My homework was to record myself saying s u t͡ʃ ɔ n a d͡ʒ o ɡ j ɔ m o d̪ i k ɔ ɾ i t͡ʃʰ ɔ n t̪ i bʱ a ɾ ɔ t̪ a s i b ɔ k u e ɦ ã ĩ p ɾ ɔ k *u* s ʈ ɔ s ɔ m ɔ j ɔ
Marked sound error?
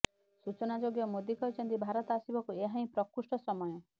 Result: no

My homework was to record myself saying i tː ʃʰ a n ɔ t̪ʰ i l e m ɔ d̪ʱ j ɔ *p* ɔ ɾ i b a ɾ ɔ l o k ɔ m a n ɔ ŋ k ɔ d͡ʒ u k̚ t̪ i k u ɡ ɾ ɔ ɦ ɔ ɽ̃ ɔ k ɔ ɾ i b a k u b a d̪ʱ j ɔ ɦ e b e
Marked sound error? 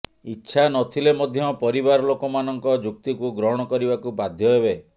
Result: no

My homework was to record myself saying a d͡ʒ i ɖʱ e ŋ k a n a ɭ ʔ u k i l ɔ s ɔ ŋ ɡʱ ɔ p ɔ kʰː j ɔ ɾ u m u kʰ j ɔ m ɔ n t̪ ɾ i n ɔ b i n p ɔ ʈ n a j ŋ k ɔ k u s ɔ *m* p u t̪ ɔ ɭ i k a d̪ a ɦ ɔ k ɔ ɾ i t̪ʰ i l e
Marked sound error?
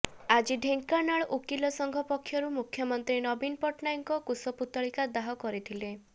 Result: yes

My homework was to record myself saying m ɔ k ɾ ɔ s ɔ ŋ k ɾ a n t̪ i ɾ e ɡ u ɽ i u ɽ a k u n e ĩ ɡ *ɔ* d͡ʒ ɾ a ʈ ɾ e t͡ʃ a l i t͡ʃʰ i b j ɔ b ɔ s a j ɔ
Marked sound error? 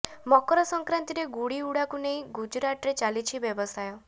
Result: yes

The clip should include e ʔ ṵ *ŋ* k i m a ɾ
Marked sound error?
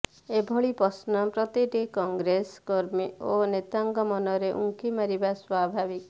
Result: no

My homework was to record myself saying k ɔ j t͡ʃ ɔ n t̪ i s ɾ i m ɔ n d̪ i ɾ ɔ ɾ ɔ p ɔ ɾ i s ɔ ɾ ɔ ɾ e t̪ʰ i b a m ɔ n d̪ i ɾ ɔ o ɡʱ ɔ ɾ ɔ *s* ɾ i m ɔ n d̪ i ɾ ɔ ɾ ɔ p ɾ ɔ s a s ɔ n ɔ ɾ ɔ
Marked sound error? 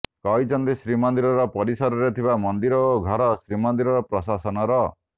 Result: no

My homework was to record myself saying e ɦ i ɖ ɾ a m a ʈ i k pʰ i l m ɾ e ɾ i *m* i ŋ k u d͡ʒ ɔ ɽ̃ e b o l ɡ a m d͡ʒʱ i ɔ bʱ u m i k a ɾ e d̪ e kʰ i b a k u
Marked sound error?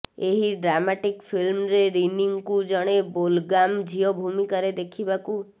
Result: yes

